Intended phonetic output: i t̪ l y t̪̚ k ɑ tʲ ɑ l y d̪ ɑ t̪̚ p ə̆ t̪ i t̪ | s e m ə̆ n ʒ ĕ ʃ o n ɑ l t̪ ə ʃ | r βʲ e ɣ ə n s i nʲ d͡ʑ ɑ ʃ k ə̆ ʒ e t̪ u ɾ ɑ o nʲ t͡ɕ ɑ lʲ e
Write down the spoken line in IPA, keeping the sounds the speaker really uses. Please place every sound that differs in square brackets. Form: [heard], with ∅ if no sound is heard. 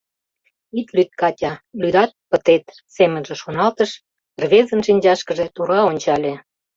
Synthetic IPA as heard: i t̪ l y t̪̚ k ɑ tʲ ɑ l y d̪ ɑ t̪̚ p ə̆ t̪ [e] t̪ | s e m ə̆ n ʒ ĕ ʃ o n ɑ l t̪ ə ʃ | r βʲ e [z] ə n [ʃ] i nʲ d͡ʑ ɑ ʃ k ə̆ ʒ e t̪ u ɾ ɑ o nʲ t͡ɕ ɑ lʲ e